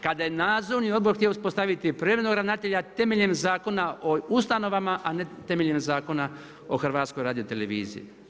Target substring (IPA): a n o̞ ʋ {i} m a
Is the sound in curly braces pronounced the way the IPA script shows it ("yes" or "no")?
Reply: no